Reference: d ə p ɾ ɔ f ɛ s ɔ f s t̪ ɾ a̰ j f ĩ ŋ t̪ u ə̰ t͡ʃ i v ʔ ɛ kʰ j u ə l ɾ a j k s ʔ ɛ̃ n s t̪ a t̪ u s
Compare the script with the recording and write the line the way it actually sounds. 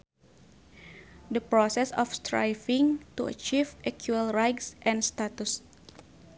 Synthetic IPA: d ə p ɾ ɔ s ɛ s ɔ f s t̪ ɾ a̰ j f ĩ ŋ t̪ u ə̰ t͡ʃ i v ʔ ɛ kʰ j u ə l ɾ a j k s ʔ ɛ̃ n s t̪ a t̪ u s

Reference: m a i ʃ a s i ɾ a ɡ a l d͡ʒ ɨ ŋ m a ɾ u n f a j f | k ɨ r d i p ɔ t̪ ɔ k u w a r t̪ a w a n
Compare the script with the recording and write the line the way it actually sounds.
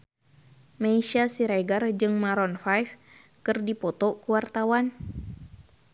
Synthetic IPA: m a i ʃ a s i ɾ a ɡ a r d͡ʒ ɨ ŋ m a ɾ ɔ n f a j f | k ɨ r d i p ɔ t̪ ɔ k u w a r t̪ a w a n

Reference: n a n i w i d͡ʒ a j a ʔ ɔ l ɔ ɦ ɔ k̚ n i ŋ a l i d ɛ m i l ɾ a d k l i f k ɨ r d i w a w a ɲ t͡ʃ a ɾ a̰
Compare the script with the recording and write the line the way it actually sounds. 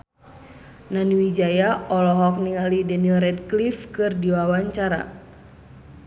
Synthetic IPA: n a n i w i d͡ʒ a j a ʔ ɔ l ɔ ɦ ɔ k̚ n i ŋ a l i d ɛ n i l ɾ ɛ d k l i f k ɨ r d i w a w a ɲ t͡ʃ a ɾ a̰

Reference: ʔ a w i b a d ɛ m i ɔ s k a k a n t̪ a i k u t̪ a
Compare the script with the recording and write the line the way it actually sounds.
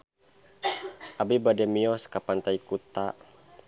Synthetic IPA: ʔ a b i b a d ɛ m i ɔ s k a p a n t̪ a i k u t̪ a

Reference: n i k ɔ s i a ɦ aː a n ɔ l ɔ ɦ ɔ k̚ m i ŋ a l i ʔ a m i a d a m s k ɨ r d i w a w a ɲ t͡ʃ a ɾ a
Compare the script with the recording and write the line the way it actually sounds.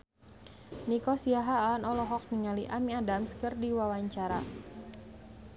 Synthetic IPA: n i k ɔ s i a ɦ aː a n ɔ l ɔ ɦ ɔ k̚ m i ŋ a l i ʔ a m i a d a m s k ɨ r d i w a w a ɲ t͡ʃ a ɾ a

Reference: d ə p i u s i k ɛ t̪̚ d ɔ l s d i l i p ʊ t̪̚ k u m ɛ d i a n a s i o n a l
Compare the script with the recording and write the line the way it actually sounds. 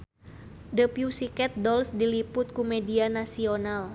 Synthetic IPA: d ə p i u s i k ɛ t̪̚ d ɔ l s d i l i p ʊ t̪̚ k u m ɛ d i a n a s i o n a l

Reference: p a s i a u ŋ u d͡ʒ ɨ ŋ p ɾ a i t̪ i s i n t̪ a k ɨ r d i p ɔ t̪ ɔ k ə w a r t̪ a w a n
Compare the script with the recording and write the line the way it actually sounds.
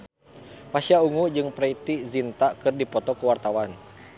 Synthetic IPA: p a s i a u ŋ u d͡ʒ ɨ ŋ p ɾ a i t̪ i z i n t̪ a k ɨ r d i p ɔ t̪ ɔ k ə w a r t̪ a w a n

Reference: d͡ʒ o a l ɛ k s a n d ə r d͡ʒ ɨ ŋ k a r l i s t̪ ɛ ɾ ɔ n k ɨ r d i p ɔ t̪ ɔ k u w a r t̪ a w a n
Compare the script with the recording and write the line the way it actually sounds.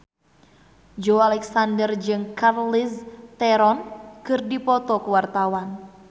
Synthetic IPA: d͡ʒ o a l ɛ k s a n d ə r d͡ʒ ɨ ŋ k a r l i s t̪ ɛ ɾ ɔ n k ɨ r d i p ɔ t̪ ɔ k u w a r t̪ a w a n

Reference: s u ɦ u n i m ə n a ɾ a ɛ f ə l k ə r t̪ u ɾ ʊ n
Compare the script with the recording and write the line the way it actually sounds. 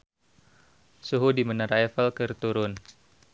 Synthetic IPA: s u ɦ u d i m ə n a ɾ a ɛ f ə l k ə r t̪ u ɾ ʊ n

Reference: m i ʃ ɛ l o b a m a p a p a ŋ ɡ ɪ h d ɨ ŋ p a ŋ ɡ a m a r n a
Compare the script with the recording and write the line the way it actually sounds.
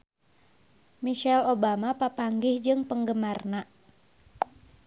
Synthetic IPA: m i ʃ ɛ l o b a m a p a p a ŋ ɡ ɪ h d͡ʒ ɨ ŋ p ə ŋ ɡ ə m a r n a

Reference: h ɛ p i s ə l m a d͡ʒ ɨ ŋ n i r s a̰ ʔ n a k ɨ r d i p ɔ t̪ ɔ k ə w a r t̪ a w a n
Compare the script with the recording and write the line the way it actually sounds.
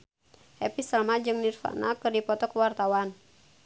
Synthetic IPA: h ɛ p i s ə l m a d͡ʒ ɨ ŋ n i r f a̰ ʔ n a k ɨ r d i p ɔ t̪ ɔ k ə w a r t̪ a w a n

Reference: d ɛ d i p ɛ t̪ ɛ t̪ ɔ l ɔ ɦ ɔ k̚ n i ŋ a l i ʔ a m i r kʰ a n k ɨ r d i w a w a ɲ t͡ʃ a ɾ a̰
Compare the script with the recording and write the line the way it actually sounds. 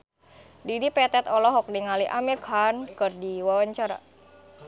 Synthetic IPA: d i d i p ɛ t̪ ɛ t̪ ɔ l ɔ ɦ ɔ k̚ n i ŋ a l i ʔ a m i r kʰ a n k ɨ r d i w a w a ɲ t͡ʃ a ɾ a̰

